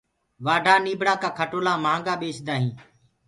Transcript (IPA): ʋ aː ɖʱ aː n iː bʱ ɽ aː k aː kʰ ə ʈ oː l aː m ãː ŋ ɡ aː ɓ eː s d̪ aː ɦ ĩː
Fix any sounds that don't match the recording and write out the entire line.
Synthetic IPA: ʋ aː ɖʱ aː n iː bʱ ɽ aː k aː kʰ ə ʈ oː l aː m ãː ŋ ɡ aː ɓ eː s d̪ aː ɦ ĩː